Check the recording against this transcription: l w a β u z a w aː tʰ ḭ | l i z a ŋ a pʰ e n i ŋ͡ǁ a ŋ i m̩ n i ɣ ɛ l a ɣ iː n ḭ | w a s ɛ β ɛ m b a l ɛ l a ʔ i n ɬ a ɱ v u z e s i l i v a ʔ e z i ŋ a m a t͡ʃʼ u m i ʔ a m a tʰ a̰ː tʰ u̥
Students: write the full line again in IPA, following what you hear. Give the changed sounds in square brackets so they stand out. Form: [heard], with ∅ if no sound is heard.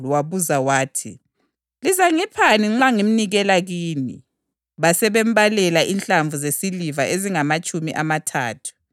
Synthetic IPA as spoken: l w a β u z a w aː tʰ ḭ | l i z a ŋ [i] pʰ [a] n i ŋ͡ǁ a ŋ i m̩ n i ɣ ɛ l a ɣ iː n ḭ | [β] a s ɛ β ɛ m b a l ɛ l a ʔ i n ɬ a ɱ v u z e s i l i v a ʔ e z i ŋ a m a t͡ʃʼ u m i ʔ a m a tʰ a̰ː tʰ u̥